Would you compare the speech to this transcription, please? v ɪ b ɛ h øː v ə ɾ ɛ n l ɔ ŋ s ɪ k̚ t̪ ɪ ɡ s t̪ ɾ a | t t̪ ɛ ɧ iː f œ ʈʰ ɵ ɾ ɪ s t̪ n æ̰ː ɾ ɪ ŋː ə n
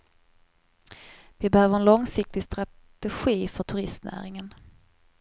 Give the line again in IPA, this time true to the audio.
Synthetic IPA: v ɪ b ɛ h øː v ə ɾ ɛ n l ɔ ŋ s ɪ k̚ t̪ ɪ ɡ s t̪ ɾ a | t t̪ ɛ ɧ iː f œ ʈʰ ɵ ɾ ɪ s t̪ n æ̰ː ɾ ɪ ŋ ə n